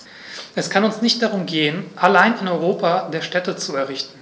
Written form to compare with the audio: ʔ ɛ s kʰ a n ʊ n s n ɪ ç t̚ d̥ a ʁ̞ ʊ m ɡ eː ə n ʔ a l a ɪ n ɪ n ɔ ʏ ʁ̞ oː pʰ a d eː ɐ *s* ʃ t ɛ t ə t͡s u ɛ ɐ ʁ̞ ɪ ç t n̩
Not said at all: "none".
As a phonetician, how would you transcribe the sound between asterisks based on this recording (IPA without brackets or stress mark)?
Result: none